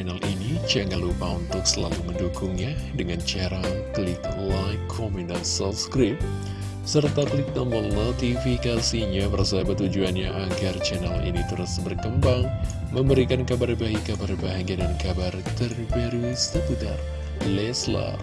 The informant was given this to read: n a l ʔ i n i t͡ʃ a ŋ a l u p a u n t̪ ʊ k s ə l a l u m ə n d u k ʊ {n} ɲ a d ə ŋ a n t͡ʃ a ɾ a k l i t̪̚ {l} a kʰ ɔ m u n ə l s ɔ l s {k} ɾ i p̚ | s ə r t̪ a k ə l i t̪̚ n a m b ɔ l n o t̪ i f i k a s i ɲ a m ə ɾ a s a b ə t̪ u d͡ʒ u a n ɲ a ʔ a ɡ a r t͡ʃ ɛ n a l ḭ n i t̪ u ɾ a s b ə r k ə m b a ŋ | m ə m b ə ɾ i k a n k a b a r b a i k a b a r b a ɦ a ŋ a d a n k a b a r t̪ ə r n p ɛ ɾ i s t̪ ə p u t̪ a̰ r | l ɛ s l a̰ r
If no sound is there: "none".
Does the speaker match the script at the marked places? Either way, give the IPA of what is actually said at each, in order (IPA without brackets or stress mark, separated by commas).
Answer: ŋ, l, k